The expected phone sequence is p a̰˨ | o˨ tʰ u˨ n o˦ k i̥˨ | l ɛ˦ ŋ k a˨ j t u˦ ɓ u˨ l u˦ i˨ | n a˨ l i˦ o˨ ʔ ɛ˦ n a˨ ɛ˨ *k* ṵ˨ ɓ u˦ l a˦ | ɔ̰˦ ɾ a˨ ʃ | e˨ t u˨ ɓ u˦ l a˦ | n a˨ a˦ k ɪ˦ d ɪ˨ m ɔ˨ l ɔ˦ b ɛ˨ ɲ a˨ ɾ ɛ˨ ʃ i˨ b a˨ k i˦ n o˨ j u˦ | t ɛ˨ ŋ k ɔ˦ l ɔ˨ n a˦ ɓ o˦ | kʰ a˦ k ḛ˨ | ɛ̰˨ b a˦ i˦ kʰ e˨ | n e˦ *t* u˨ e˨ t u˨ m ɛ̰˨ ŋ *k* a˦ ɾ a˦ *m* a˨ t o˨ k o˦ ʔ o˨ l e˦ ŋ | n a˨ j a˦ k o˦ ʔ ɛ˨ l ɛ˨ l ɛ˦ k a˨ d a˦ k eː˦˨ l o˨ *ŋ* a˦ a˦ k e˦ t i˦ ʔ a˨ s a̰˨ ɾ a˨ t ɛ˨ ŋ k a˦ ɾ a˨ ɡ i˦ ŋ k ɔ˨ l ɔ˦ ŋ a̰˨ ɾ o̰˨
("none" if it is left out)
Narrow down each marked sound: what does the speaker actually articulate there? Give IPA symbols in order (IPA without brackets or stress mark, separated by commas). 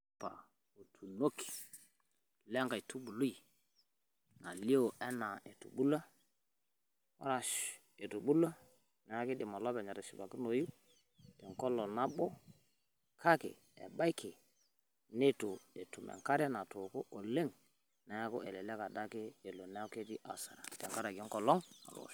t, t, k, n, n